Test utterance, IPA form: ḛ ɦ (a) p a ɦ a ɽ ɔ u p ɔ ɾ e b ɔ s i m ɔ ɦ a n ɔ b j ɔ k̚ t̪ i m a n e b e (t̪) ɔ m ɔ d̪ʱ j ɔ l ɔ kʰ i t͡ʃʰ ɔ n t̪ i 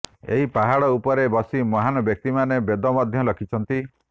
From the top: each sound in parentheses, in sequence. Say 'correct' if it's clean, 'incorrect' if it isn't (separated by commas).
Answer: incorrect, incorrect